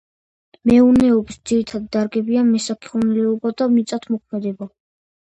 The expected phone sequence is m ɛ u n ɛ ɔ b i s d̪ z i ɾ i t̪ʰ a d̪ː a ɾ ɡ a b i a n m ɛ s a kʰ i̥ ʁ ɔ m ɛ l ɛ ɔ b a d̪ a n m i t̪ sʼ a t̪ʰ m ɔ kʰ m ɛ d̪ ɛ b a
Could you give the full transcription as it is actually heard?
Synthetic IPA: m ɛ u n ɛ ɔ b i s d̪ z i ɾ i t̪ʰ a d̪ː a ɾ ɡ ɛ b i a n m ɛ s a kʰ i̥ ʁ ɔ n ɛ l ɛ ɔ b a d̪ a m i t̪ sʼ a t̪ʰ m ɔ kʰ m ɛ d̪ ɛ b a